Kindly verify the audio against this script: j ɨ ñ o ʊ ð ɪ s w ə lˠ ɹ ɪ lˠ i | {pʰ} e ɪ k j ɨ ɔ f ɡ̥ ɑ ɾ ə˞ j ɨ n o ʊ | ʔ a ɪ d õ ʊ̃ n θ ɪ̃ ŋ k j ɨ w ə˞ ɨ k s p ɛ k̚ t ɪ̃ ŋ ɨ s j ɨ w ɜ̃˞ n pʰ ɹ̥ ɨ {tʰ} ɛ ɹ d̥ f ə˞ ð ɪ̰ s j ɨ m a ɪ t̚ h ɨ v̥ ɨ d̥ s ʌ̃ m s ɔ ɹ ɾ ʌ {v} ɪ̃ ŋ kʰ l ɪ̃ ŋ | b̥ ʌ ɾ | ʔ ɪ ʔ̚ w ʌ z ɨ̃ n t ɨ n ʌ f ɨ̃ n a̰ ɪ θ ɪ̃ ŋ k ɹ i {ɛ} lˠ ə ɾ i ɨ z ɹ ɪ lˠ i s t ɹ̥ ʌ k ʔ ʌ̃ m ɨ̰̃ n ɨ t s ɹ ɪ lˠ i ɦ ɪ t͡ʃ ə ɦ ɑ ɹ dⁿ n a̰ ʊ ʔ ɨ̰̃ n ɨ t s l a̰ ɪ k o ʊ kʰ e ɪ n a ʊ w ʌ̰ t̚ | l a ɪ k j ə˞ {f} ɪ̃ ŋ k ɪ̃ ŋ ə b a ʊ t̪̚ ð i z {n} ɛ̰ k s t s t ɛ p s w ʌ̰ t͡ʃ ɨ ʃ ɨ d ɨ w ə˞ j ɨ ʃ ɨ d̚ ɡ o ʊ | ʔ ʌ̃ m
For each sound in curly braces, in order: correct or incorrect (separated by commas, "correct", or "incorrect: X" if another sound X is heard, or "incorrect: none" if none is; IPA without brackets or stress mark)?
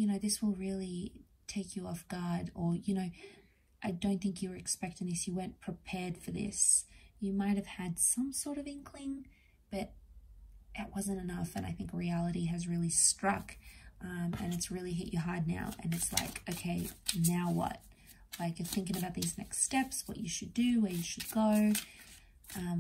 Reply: incorrect: tʰ, incorrect: pʰ, correct, incorrect: æ, incorrect: θ, correct